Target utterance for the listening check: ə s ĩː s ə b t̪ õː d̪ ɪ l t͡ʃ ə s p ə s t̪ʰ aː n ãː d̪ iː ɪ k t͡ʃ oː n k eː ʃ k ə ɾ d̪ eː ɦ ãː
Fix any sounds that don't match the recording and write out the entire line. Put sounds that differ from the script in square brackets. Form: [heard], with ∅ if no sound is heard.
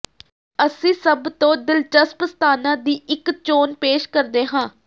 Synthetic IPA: ə s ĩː s ə b t̪ õː d̪ ɪ l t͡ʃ ə s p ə s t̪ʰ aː n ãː d̪ iː ɪ k t͡ʃ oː n [p] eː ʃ k ə ɾ d̪ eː ɦ ãː